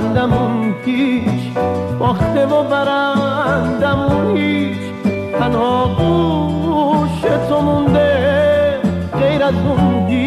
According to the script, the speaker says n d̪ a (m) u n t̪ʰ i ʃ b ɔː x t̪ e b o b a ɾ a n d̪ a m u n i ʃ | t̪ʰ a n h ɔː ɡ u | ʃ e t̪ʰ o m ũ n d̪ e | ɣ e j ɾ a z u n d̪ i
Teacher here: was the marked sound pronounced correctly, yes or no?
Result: yes